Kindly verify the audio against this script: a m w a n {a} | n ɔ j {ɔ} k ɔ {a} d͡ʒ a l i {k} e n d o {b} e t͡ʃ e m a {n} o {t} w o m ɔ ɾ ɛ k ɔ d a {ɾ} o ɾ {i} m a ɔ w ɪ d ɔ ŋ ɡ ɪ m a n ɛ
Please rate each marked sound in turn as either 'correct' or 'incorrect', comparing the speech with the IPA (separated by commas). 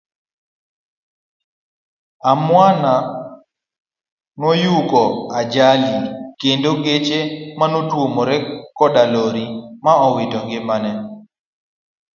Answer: correct, incorrect, correct, correct, incorrect, correct, correct, incorrect, correct